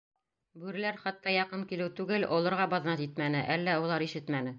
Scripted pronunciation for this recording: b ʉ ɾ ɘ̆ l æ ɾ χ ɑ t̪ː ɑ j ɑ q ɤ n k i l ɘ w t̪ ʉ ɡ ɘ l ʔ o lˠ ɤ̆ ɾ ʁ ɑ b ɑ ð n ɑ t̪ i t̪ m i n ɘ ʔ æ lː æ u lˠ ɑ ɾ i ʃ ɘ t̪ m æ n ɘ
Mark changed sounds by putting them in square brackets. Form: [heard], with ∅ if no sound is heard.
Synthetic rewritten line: b ʉ ɾ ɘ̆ l æ ɾ χ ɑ t̪ː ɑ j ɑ q ɤ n k i l ɘ w t̪ ʉ ɡ ɘ l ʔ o lˠ ɤ̆ ɾ ʁ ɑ b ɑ ð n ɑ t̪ i t̪ m [æ] n ɘ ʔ æ lː æ u lˠ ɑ ɾ i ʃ ɘ t̪ m æ n ɘ